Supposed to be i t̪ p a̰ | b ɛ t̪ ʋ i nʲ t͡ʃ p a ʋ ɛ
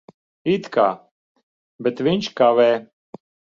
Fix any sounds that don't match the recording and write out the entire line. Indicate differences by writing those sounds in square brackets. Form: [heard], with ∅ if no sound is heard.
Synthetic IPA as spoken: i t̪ [k] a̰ | b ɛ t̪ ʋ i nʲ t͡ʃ [k] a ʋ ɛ